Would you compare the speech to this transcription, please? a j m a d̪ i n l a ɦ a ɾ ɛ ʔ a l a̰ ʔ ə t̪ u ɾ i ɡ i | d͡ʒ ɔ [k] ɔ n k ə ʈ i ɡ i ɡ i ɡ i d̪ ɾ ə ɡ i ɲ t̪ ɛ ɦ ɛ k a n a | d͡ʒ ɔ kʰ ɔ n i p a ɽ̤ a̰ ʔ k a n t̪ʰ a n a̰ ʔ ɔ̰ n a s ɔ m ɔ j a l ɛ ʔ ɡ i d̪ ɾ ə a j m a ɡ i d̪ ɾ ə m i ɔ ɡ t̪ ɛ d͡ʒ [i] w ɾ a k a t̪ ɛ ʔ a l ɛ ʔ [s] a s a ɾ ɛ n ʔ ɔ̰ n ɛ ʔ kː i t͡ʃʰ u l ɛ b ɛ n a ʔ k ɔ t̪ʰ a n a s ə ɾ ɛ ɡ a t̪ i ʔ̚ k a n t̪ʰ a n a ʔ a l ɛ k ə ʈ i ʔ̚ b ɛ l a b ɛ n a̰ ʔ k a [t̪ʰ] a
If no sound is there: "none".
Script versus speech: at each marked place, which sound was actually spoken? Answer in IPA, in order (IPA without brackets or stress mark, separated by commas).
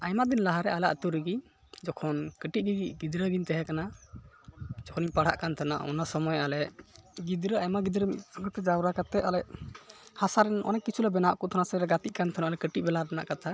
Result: kʰ, a, h, t̪ʰ